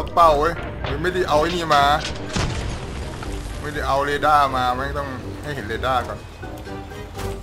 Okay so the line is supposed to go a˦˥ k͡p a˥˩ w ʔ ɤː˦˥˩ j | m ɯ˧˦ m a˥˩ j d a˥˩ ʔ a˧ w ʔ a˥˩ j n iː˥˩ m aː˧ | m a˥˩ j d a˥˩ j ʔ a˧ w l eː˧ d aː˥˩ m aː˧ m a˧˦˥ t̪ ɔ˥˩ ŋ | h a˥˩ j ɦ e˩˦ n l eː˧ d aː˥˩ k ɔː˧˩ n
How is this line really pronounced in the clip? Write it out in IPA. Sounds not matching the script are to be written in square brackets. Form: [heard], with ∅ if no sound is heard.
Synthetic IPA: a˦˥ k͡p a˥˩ w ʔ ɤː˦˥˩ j | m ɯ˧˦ m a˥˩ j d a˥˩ ʔ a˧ w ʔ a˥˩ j n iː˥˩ m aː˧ | m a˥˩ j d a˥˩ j ʔ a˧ w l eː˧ d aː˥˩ m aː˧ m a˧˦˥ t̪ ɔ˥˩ ŋ | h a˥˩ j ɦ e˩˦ n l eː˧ d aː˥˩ k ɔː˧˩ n